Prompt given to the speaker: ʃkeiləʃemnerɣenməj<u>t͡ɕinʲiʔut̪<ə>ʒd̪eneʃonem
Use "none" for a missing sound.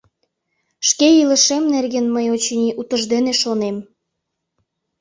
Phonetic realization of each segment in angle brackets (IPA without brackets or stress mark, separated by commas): o, ə